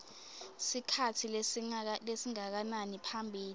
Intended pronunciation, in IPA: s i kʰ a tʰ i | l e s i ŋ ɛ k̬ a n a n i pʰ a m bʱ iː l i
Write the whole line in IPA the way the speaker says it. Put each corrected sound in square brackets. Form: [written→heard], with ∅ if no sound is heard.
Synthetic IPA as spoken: s i kʰ a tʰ i | l e s i ŋ [ɛ→a] k̬ a n a n i pʰ a m bʱ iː l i